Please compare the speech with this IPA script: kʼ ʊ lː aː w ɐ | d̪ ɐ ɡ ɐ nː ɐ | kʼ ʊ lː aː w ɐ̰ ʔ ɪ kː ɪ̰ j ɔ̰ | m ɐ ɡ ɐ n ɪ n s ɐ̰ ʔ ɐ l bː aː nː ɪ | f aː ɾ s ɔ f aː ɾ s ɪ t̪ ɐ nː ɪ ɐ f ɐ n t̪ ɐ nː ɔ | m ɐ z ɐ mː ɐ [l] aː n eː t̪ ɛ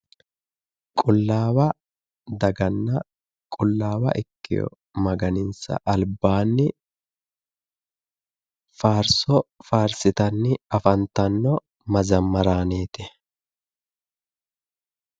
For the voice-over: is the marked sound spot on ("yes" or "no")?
no